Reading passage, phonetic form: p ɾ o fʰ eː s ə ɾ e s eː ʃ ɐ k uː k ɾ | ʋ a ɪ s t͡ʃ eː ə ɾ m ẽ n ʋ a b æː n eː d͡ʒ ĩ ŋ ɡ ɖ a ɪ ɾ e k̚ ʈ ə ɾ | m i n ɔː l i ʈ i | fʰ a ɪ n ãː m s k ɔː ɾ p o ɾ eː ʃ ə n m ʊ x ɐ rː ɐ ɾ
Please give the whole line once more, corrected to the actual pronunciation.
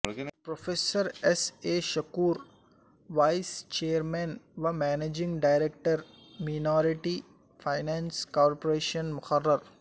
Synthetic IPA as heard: p ɾ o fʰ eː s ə ɾ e s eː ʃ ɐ k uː ɾ | ʋ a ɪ s t͡ʃ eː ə ɾ m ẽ n ʋ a m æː n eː d͡ʒ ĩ ŋ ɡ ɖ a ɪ ɾ e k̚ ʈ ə ɾ | m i n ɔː ɾ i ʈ i | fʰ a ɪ n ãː n s k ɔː ɾ p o ɾ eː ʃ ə n m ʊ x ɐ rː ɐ ɾ